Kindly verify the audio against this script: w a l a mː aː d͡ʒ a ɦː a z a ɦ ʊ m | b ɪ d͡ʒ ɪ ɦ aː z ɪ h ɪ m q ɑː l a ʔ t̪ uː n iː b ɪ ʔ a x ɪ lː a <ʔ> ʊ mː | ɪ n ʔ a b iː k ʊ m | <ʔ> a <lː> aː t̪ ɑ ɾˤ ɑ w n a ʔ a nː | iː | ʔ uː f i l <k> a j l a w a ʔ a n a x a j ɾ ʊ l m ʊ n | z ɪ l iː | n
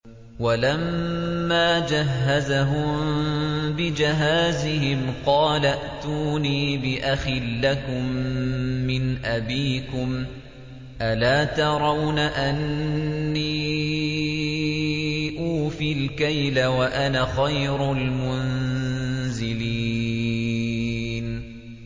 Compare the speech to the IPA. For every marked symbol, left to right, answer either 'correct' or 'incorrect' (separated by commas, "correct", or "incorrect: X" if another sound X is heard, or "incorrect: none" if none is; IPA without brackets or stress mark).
incorrect: k, correct, incorrect: l, correct